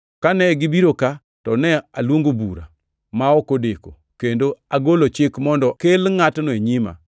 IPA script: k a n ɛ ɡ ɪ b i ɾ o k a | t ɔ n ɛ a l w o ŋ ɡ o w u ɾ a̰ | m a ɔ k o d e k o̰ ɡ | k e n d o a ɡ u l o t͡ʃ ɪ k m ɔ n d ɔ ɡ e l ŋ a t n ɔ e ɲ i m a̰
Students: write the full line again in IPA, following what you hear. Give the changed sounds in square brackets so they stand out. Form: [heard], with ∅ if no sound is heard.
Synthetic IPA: k a n ɛ ɡ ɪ b i ɾ o k a | t ɔ n ɛ a l w o ŋ ɡ o [b] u ɾ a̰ | m a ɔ k o d e k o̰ [∅] | k e n d o a ɡ [o] l o t͡ʃ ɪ k m ɔ n d ɔ [k] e l ŋ a t n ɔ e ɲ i m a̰